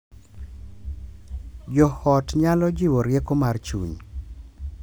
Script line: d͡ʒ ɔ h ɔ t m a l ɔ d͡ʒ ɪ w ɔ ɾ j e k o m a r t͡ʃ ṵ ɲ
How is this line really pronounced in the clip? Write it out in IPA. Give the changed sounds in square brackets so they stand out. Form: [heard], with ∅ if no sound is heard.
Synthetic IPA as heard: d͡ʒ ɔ h ɔ t [ɲ] a l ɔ d͡ʒ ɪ w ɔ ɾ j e k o m a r t͡ʃ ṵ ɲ